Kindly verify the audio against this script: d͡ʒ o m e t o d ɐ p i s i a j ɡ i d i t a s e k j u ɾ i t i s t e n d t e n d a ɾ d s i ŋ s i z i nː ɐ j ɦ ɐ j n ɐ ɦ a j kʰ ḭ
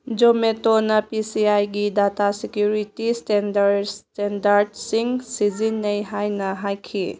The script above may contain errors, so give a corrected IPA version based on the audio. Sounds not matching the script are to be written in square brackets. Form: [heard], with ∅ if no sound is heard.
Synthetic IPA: d͡ʒ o m e t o [n] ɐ p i s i a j ɡ i d [a] t a s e k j u ɾ i t i s t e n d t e n d a ɾ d s i ŋ s i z i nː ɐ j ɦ [a] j n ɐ ɦ a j kʰ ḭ